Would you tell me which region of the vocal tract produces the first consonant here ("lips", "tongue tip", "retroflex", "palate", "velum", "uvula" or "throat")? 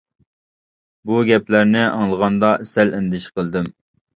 lips